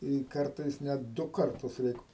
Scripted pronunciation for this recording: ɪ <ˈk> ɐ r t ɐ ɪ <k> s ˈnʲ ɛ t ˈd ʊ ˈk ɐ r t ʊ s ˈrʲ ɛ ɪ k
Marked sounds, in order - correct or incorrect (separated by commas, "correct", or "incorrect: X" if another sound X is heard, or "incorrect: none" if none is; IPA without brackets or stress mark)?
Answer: correct, incorrect: none